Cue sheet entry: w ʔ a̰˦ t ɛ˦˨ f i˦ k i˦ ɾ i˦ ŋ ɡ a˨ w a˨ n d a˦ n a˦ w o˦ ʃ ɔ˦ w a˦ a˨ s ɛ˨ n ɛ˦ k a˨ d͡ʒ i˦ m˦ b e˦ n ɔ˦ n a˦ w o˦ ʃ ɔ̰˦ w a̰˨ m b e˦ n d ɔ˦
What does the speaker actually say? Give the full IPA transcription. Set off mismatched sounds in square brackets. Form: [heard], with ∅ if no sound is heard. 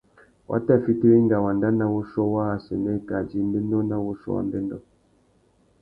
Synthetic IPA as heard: w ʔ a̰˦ t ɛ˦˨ f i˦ [t] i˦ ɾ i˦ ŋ ɡ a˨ w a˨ n d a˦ n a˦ w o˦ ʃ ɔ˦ w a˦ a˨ s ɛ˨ n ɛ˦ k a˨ d͡ʒ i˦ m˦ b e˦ n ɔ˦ n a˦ w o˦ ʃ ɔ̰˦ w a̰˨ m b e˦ n d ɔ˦